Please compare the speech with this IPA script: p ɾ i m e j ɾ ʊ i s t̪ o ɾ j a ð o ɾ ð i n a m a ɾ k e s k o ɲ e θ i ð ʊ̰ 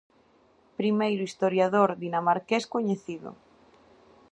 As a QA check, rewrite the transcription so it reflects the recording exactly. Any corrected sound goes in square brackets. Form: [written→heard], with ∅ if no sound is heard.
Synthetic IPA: p ɾ i m e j ɾ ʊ i s t̪ o ɾ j a ð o ɾ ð i n a m a ɾ k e s k o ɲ e θ i ð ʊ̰